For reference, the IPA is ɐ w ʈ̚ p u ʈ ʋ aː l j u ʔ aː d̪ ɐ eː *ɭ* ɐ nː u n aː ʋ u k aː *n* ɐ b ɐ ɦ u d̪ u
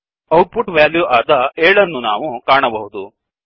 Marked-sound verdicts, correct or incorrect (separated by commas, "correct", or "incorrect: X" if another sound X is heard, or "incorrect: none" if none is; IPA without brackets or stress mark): correct, incorrect: ɳ